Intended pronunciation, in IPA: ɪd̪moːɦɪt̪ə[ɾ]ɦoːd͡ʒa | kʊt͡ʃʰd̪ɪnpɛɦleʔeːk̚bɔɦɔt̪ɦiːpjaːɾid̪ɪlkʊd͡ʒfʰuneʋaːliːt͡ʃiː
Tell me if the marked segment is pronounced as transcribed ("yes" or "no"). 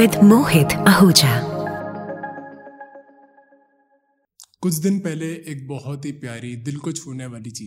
no